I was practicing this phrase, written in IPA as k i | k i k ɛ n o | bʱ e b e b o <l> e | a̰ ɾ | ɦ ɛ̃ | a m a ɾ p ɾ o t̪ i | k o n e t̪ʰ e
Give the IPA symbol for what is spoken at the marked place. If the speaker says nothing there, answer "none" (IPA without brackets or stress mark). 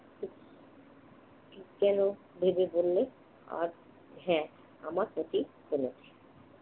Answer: lː